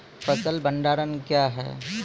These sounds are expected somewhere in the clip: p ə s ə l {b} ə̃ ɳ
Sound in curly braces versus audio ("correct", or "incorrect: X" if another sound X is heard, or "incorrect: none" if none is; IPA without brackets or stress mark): correct